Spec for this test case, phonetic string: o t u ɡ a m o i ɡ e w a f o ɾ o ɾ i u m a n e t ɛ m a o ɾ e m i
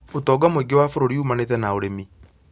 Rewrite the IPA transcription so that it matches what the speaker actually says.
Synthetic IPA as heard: o t ɔ ɡ a m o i ɡ e w a f o ɾ o ɾ i u m a n e t ɛ n a o ɾ e m i